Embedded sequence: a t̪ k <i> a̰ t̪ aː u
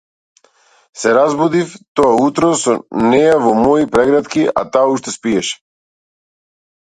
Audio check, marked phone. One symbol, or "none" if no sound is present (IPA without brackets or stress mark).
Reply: i